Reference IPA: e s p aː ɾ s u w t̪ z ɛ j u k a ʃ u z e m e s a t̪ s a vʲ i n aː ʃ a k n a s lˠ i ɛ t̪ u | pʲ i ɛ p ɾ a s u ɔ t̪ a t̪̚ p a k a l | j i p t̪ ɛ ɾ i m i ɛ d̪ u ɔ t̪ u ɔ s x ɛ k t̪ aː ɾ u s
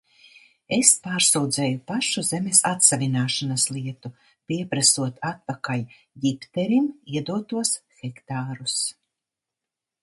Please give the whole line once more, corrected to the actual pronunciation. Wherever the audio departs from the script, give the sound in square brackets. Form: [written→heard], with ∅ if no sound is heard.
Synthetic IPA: e s p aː ɾ s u w [t̪→d̪] z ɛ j u [k→p] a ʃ u z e m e s a t̪ s a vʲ i n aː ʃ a [k→∅] n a s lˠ i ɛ t̪ u | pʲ i ɛ p ɾ a s u ɔ t̪ a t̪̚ p a k a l | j i p t̪ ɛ ɾ i m i ɛ d̪ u ɔ t̪ u ɔ s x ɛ k t̪ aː ɾ u s